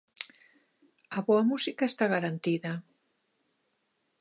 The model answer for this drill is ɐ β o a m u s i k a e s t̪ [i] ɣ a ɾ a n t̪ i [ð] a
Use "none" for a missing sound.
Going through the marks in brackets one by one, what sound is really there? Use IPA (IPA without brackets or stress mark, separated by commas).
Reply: a, ð